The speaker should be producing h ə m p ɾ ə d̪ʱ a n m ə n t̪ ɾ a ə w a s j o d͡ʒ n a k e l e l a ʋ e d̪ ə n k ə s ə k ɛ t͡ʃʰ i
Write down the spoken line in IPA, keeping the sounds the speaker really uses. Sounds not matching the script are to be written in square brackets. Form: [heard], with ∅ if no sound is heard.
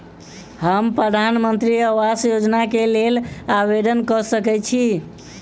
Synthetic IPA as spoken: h ə m p ɾ ə d̪ʱ a n m ə n t̪ ɾ [i] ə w a s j o d͡ʒ n a k e l e l a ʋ e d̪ ə n k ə s ə k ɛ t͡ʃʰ i